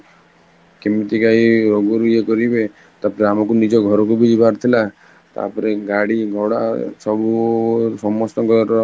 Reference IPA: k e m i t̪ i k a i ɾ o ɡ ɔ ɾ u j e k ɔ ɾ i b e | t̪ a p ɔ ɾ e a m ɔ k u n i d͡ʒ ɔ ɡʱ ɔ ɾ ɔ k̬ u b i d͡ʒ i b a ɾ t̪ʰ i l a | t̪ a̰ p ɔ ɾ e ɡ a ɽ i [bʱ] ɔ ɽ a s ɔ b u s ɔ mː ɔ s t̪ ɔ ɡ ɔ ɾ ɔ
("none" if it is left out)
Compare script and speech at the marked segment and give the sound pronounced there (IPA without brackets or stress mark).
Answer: ɡʱ